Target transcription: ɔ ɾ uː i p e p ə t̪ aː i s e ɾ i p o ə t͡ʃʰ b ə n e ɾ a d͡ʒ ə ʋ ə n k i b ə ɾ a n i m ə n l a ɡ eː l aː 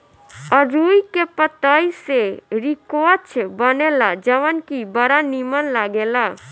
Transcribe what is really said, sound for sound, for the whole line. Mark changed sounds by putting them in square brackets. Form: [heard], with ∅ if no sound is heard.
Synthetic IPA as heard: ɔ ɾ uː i [k] e p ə t̪ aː i s e ɾ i [k] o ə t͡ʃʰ b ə n e [l] a d͡ʒ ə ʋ ə n k i b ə ɾ a n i m ə n l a ɡ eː l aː